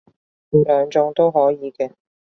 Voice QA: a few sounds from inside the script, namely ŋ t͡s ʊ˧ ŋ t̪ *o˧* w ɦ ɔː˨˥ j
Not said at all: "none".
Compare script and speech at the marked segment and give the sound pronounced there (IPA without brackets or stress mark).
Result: o˥